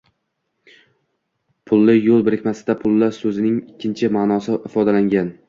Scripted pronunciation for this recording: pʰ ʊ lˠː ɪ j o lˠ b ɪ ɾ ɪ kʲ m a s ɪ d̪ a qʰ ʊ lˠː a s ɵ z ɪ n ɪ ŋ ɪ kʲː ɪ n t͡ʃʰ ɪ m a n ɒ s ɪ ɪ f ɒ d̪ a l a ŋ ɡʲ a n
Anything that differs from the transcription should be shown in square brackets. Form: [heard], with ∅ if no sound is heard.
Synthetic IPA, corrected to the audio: pʰ ʊ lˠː ɪ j o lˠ b ɪ ɾ ɪ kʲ m a s ɪ d̪ a [pʰ] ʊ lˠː a s ɵ z ɪ n ɪ ŋ ɪ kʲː ɪ n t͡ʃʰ ɪ m a n ɒ s ɪ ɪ f ɒ d̪ a l a ŋ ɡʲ a n

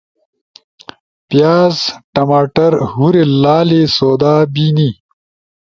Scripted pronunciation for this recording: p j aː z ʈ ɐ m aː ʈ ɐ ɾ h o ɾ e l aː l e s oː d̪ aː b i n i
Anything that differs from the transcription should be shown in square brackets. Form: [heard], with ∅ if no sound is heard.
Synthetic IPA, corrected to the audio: p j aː z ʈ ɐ m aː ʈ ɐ ɾ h [u] ɾ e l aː l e s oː d̪ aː b i n i

